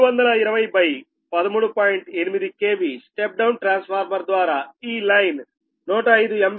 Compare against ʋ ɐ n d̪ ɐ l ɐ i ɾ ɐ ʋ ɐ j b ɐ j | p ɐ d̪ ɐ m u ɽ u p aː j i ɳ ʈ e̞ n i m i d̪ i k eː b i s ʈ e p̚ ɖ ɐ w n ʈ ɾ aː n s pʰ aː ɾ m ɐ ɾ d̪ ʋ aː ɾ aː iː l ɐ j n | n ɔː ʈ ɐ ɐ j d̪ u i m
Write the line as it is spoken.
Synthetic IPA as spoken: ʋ ɐ n d̪ ɐ l ɐ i ɾ ɐ ʋ ɐ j b ɐ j | p ɐ d̪ ɐ m uː ɽ u p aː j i ɳ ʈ e̞ n i m i d̪ i k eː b i s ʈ e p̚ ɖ ɐ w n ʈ ɾ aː n s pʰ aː ɾ m ɐ ɾ d̪ ʋ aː ɾ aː iː l ɐ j n | n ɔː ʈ ɐ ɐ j d̪ u e m

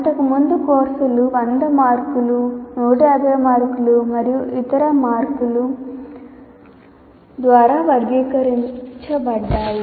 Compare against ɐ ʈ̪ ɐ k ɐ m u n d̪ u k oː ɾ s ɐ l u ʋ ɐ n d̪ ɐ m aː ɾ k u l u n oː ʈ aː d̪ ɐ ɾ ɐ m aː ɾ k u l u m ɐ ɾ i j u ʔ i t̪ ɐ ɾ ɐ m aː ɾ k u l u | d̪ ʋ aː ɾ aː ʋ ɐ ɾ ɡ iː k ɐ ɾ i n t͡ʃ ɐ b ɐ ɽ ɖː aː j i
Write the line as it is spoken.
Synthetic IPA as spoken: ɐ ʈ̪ ɐ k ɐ m u n d̪ u k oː ɾ s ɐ l u ʋ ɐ n d̪ ɐ m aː ɾ k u l u n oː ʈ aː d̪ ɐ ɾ ɐ m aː ɾ k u l u m ɐ ɾ i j u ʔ i t̪ ɐ ɾ ɐ m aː ɾ k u l u | d̪ ʋ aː ɾ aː ʋ ɐ ɾ ɡ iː k ɐ ɾ i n t͡ʃ ɐ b ɐ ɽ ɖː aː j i

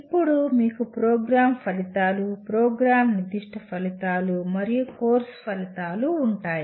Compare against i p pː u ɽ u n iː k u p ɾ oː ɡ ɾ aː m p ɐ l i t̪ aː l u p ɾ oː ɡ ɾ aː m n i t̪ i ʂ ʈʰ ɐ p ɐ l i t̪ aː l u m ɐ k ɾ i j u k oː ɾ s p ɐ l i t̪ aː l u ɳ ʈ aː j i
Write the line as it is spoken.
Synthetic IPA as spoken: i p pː u ɽ u m iː k u p ɾ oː ɡ ɾ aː m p ɐ l i t̪ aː l u p ɾ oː ɡ ɾ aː m n i d̪ i ʂ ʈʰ ɐ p ɐ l i t̪ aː l u m ɐ ɾ i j u k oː ɾ s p ɐ l i t̪ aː l uː ɳ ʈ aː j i

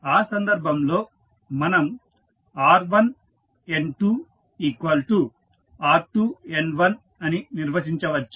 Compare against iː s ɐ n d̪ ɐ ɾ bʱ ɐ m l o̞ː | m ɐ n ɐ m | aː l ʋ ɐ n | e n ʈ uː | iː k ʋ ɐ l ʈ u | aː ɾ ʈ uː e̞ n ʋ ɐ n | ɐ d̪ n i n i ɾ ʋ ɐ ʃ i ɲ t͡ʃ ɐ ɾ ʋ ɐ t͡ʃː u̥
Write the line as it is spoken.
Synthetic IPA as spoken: aː s ɐ n d̪ ɐ ɾ bʱ ɐ m l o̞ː | m ɐ n ɐ m | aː ɾ ʋ ɐ n | e n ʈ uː | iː k ʋ ɐ l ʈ u | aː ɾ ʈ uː e̞ n ʋ ɐ n | ɐ n i n i ɾ ʋ ɐ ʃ i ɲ t͡ʃ ɐ ʋ ɐ t͡ʃː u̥

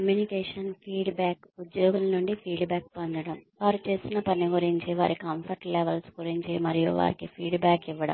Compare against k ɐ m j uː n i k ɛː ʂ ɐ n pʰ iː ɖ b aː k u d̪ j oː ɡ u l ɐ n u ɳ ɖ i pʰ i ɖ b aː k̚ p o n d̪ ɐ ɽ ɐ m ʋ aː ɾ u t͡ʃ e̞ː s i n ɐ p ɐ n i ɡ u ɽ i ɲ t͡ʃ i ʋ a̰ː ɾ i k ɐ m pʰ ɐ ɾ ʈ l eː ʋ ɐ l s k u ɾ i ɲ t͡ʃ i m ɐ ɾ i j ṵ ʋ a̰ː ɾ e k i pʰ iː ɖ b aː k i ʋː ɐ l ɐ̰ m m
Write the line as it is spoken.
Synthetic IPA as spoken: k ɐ m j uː n i k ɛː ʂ ɐ n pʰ iː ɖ b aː k u d̪ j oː ɡ u l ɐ n u ɳ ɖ i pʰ iː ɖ b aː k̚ p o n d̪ ɐ ɽ ɐ m ʋ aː ɾ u t͡ʃ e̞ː s i n ɐ p ɐ n i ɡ u ɾ i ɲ t͡ʃ i ʋ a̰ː ɾ i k ɐ m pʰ ɐ ɾ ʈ l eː ʋ ɐ l s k u ɾ i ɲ t͡ʃ i m ɐ ɾ i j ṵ ʋ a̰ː ɾ i k i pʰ iː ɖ b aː k i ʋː ɐ ɽ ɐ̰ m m

